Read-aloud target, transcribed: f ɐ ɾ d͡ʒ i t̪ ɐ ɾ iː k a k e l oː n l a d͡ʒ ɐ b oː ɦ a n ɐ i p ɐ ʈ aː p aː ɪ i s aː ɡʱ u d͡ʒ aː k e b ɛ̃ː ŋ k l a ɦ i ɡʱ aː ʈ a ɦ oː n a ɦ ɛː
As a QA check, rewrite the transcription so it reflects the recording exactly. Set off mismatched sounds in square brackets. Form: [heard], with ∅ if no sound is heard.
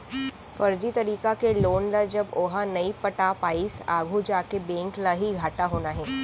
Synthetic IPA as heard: f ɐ ɾ d͡ʒ i t̪ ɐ ɾ iː k a k e l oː n l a d͡ʒ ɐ b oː ɦ a n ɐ i p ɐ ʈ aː p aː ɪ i s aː ɡʱ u d͡ʒ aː k e b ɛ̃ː ŋ k l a ɦ i ɡʱ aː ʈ a ɦ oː n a ɦ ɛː